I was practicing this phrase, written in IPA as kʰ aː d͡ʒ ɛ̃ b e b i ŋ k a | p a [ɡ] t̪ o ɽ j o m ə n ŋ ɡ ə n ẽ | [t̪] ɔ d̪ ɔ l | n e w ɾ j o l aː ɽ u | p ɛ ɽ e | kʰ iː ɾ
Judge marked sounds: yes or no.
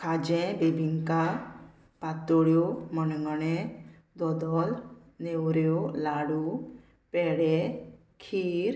no, no

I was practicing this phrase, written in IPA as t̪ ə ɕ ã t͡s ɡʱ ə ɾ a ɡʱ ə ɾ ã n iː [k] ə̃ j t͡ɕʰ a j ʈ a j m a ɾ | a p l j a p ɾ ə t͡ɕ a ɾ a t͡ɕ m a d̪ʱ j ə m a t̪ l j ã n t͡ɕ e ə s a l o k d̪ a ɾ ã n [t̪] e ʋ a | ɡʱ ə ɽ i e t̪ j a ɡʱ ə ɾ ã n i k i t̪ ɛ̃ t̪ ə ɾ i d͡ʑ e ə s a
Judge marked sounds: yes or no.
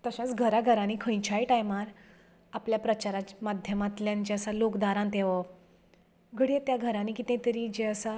no, yes

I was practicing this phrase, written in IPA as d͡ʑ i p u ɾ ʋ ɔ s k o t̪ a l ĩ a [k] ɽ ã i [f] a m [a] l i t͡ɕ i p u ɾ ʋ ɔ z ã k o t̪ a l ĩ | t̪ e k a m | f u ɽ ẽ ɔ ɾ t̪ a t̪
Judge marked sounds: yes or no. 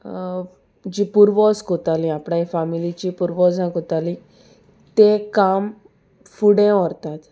no, yes, no

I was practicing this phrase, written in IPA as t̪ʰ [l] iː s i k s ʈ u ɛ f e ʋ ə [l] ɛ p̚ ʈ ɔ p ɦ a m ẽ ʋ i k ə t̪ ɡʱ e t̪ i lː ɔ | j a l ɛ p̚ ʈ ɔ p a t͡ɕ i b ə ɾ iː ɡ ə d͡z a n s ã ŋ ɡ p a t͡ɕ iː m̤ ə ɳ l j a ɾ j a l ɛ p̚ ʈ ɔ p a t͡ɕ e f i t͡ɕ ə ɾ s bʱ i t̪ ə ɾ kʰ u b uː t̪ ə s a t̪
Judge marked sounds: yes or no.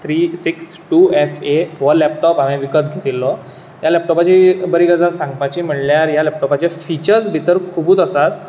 no, yes

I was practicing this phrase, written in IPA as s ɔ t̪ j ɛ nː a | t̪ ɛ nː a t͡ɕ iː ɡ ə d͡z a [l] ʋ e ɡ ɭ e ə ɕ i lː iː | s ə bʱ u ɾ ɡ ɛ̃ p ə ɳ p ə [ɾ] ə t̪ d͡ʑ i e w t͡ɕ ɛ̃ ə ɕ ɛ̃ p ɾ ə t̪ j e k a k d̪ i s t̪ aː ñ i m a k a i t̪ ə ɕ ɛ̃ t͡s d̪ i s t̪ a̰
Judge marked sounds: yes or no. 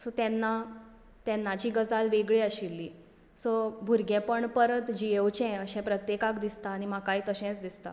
yes, yes

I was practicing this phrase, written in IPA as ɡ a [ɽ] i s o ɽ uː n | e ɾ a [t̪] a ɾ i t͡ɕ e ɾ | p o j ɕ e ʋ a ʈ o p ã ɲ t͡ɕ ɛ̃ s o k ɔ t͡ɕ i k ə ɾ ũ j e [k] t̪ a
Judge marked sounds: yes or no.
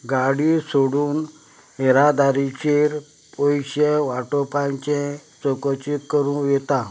yes, no, no

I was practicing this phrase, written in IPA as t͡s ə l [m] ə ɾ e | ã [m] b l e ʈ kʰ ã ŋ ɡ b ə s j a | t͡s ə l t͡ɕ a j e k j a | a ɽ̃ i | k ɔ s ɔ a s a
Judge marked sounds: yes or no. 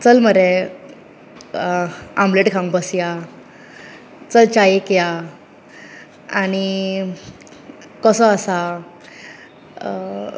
yes, yes

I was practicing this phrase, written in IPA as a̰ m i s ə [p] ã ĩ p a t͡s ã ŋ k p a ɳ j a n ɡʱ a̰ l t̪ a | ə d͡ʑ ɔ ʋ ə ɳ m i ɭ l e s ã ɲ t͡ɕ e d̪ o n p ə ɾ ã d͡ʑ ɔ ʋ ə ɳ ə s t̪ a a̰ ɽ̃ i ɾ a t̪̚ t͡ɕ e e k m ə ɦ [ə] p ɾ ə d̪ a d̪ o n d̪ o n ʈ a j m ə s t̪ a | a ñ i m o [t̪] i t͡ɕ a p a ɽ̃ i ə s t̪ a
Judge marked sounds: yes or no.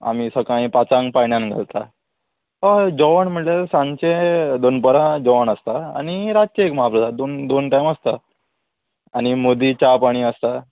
no, no, no

